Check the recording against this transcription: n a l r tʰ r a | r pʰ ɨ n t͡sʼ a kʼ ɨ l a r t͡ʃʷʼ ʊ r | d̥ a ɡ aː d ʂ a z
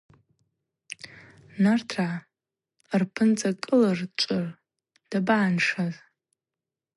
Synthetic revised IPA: n a r tʰ r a | r pʰ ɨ n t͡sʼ a kʼ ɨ l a r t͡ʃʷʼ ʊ r | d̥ a b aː n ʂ a z

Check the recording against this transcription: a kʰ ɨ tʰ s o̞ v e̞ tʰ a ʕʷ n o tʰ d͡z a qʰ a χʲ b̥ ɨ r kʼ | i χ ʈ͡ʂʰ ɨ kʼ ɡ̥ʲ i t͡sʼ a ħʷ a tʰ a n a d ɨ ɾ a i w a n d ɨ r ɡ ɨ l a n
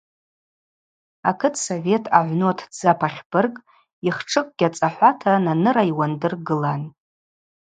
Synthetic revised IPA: a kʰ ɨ tʰ s o̞ v e̞ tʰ a ʕʷ n o tʰ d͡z a pʰ a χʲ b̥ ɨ r kʼ | i χ ʈ͡ʂʰ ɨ kʼ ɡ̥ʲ a t͡sʼ a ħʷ a tʰ a n a n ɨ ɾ a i w a n d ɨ r ɡ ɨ l a n

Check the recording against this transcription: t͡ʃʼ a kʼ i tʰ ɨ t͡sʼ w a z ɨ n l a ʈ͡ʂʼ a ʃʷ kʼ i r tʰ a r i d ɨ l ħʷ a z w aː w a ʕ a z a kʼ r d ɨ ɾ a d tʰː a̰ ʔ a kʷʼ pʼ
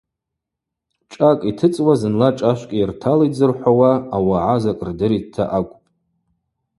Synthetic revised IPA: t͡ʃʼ a kʼ i tʰ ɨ t͡sʼ w a z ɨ n l a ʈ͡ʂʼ a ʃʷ kʼ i r tʰ a l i d͡z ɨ r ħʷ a w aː w a ʕ a z a kʼ r d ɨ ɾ i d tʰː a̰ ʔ a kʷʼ pʼ

